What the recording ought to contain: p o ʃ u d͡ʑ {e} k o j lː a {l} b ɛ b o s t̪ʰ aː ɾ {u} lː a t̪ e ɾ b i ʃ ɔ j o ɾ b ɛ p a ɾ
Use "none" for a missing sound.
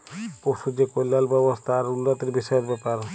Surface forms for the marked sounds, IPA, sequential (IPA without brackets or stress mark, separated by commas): e, l, u